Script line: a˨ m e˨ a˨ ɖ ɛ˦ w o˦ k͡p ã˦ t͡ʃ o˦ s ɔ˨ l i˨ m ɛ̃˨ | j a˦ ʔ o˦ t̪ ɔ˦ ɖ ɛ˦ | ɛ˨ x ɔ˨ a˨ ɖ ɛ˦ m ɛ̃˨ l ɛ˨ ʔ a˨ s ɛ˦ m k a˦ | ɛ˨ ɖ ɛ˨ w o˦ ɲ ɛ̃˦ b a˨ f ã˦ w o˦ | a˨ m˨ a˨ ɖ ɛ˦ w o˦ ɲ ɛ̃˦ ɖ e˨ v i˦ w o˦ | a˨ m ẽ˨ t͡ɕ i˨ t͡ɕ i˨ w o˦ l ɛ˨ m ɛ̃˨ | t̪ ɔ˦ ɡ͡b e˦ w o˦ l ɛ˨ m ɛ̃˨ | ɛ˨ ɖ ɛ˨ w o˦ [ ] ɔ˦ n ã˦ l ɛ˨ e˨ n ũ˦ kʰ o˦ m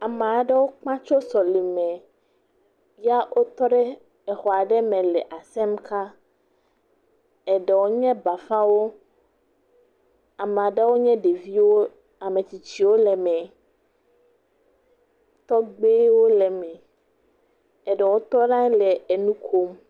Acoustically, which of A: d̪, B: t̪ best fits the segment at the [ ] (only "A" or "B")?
B